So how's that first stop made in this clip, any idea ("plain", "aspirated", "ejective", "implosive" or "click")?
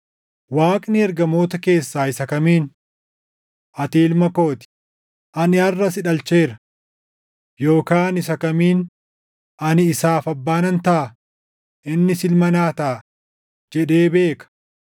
ejective